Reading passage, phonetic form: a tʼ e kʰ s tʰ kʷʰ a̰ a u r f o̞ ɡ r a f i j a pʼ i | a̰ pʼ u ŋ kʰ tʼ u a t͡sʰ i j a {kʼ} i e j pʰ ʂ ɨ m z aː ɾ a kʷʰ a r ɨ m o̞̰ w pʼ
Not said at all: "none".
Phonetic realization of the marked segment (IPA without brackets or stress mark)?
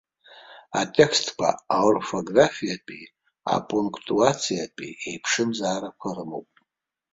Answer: pʼ